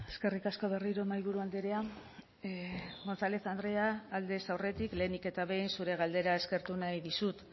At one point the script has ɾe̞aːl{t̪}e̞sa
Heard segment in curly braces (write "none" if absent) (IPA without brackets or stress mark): d̪